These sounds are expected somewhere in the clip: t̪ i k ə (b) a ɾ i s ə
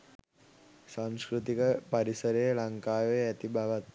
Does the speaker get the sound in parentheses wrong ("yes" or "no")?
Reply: yes